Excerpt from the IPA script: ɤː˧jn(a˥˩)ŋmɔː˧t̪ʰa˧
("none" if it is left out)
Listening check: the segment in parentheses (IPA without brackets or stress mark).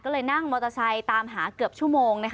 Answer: a˥˩